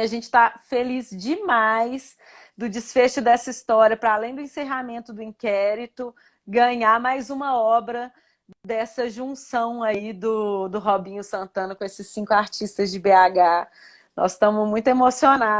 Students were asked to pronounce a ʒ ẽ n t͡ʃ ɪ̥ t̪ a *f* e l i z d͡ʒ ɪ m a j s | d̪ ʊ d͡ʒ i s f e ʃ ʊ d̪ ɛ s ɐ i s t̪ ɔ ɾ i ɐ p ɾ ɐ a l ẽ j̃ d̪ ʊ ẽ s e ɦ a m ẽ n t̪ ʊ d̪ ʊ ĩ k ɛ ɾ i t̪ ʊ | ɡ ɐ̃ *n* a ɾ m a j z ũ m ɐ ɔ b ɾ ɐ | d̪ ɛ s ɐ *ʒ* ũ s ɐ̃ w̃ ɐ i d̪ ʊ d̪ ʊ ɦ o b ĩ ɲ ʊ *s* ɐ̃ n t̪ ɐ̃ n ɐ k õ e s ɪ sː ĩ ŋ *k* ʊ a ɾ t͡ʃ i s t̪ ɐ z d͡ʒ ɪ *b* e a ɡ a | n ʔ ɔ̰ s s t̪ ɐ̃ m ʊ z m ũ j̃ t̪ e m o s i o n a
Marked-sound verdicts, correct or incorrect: correct, incorrect: ɲ, correct, correct, correct, correct

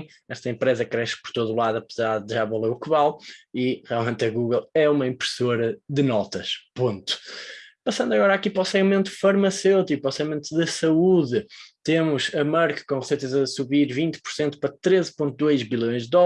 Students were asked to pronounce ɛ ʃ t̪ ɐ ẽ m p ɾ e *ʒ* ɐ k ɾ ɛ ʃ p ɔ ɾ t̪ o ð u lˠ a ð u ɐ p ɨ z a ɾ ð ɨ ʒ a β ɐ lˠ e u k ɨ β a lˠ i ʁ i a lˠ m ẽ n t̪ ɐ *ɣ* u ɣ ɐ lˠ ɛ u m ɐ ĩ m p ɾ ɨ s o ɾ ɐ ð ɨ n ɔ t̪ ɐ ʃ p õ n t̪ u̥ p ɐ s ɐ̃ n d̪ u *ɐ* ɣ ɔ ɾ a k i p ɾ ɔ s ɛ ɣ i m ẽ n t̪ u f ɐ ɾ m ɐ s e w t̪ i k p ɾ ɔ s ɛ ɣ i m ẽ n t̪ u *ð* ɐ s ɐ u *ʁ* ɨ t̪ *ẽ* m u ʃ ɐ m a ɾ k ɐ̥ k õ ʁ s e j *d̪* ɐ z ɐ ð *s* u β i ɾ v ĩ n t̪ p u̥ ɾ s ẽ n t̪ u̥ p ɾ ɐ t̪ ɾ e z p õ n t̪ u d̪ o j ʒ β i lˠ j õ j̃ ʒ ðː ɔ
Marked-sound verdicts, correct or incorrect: incorrect: z, correct, correct, correct, incorrect: ð, incorrect: e, incorrect: t̪, correct

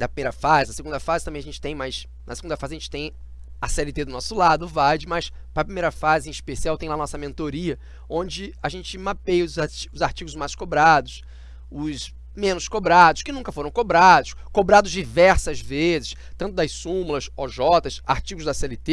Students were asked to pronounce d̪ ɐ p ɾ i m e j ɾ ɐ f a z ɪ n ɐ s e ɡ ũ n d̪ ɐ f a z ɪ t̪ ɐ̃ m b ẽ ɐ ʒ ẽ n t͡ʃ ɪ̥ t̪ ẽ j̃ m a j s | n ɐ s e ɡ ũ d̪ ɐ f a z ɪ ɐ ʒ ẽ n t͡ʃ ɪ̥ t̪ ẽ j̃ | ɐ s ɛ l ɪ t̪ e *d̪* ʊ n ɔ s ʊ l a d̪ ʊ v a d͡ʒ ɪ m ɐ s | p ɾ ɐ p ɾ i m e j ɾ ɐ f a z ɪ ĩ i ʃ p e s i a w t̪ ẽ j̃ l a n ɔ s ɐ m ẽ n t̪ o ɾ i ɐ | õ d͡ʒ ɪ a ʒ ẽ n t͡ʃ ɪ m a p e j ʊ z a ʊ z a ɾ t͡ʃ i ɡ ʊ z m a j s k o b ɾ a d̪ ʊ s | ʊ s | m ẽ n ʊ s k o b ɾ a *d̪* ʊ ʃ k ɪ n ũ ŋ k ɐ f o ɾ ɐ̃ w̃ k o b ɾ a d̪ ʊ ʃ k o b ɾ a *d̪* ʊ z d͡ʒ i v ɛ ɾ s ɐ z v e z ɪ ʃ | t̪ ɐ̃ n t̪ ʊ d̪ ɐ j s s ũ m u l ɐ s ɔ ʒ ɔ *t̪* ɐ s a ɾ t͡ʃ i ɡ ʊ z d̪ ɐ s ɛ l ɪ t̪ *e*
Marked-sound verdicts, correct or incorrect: correct, correct, correct, correct, correct

